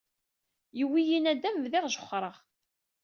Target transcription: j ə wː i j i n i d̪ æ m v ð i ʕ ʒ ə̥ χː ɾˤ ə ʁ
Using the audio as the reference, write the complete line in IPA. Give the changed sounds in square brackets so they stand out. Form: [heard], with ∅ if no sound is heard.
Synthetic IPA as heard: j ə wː i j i n [æ] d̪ æ m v ð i [ʁ] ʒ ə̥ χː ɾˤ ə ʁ